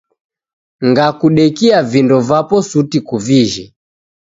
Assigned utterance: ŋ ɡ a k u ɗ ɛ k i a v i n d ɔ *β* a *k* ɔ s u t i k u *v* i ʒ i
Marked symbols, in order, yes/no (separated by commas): no, no, yes